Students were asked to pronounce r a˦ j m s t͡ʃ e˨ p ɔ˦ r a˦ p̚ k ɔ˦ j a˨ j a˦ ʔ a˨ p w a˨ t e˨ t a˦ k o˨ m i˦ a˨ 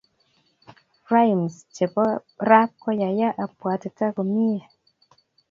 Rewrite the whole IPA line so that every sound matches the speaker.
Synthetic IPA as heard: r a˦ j m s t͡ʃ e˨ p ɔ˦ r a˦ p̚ k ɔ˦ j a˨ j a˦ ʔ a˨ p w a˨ t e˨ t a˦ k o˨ m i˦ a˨